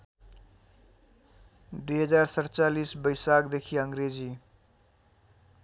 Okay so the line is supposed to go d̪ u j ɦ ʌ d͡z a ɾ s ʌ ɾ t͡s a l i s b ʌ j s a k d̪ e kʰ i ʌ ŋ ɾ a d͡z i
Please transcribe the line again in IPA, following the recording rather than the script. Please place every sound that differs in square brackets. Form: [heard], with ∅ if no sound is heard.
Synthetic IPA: d̪ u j ɦ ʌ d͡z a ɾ s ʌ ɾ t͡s a l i s b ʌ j s a k d̪ e kʰ i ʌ ŋ ɾ [e] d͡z i